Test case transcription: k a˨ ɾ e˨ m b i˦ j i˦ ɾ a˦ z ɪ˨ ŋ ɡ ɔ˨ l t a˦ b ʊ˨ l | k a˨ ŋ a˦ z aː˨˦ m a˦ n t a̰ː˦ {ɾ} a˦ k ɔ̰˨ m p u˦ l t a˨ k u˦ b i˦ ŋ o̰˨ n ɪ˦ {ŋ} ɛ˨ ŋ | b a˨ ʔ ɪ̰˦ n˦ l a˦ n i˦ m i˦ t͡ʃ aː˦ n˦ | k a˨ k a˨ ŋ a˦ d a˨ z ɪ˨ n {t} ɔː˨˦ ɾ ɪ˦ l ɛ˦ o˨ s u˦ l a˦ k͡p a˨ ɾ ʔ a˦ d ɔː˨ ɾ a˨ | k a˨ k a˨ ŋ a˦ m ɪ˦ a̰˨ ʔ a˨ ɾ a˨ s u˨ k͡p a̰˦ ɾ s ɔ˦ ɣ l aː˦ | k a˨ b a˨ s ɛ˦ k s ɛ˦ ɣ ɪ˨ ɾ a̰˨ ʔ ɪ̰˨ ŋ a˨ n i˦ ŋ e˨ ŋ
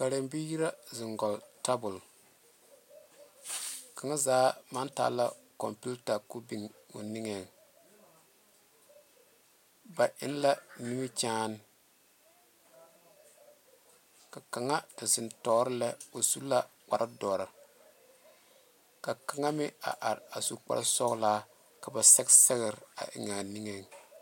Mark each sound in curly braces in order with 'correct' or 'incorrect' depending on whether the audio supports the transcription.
incorrect, correct, correct

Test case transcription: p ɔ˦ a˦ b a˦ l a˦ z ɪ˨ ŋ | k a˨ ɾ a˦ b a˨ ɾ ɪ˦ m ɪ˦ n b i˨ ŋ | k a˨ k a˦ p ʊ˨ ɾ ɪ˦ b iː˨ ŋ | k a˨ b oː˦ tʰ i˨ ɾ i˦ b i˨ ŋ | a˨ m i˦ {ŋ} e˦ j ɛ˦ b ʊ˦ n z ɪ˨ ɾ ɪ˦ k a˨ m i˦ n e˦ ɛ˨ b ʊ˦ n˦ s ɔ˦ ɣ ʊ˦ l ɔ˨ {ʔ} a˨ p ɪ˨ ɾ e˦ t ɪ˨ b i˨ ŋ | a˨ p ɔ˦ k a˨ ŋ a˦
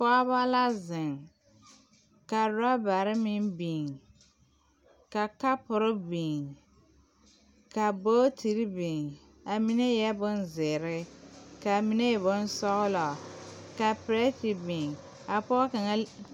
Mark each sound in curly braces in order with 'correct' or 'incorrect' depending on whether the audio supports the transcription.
incorrect, incorrect

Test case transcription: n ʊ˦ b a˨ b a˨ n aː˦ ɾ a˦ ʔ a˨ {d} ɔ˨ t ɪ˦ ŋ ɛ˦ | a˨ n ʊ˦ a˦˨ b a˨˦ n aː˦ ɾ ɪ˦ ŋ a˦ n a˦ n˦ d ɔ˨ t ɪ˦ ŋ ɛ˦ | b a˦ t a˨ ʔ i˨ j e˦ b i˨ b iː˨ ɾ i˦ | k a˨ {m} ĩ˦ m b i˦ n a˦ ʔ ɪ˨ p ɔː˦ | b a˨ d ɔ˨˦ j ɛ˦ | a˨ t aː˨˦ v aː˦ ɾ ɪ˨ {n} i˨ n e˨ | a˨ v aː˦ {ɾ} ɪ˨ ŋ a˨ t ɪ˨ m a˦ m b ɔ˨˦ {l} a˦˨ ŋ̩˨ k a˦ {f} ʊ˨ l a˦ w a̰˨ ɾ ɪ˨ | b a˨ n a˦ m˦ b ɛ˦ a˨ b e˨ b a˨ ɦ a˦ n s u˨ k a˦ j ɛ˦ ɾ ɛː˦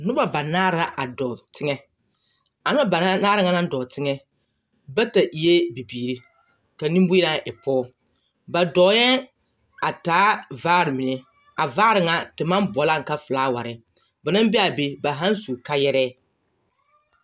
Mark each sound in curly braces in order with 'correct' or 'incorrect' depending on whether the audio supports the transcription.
correct, incorrect, incorrect, correct, correct, correct

